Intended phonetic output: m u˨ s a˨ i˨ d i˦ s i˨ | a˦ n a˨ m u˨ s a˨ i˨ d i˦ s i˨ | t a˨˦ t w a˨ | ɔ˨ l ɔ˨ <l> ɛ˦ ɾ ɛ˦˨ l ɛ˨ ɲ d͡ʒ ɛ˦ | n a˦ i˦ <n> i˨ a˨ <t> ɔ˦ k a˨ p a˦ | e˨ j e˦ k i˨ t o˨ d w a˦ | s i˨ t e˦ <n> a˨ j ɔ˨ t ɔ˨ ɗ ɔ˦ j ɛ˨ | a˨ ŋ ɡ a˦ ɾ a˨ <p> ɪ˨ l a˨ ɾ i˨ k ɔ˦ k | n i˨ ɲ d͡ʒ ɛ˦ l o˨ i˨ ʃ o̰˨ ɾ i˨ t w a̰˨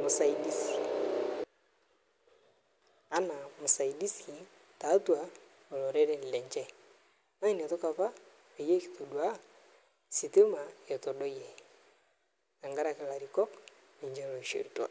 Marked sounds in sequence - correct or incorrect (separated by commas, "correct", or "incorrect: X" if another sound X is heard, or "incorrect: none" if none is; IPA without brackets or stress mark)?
incorrect: ɾ, correct, correct, incorrect: m, incorrect: k